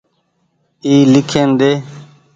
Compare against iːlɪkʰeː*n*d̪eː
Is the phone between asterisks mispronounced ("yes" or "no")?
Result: no